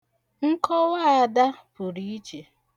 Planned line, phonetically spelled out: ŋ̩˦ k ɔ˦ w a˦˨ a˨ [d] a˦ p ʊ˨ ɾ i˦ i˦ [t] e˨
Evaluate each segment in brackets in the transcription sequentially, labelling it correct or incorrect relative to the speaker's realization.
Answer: correct, incorrect: t͡ʃ

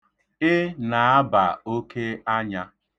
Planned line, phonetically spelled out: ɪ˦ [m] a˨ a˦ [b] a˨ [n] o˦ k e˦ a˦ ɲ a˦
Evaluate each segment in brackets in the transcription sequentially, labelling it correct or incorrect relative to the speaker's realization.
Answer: incorrect: n, correct, incorrect: none

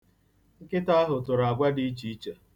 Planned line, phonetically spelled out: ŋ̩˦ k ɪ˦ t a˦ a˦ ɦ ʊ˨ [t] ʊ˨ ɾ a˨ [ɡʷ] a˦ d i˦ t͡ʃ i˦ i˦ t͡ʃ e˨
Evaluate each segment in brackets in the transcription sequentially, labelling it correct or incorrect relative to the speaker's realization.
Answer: correct, correct

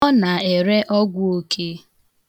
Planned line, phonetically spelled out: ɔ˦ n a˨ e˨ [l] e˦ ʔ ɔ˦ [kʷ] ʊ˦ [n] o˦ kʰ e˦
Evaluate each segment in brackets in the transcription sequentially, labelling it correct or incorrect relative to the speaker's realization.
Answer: incorrect: ɾ, incorrect: ɡʷ, incorrect: none

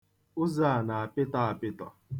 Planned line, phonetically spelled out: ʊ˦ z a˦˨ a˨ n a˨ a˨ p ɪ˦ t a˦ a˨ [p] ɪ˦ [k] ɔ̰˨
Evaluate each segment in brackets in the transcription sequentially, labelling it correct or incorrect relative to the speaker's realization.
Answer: correct, incorrect: t

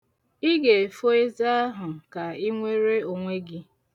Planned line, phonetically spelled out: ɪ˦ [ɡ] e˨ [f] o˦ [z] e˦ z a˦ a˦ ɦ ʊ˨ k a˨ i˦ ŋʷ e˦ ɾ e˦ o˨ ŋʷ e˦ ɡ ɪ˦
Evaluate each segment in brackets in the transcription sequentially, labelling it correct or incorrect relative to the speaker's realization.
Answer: correct, correct, incorrect: none

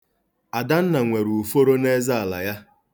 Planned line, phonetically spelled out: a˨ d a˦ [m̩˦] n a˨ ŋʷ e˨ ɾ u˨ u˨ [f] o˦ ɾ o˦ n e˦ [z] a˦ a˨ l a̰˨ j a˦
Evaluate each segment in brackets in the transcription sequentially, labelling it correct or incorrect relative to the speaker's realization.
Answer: incorrect: n̩˦, correct, correct

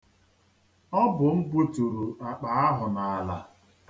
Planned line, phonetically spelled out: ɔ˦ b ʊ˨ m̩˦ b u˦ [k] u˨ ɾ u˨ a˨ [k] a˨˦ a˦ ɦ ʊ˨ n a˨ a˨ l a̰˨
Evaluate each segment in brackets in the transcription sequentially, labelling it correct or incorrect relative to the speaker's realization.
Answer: incorrect: t, incorrect: k͡p

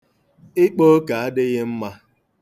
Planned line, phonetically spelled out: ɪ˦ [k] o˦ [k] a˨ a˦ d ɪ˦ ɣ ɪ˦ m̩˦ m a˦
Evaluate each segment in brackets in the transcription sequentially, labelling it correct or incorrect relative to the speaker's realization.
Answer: incorrect: k͡p, correct

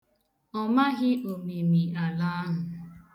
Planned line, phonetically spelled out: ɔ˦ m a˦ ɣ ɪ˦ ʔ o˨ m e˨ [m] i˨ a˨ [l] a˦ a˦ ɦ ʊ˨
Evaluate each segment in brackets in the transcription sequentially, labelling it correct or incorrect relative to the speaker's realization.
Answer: correct, correct

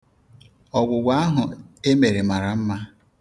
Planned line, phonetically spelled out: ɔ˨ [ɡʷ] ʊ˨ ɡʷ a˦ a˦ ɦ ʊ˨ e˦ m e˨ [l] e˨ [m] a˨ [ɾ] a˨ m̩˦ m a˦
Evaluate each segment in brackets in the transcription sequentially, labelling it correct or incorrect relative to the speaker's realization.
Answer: correct, incorrect: ɾ, correct, correct

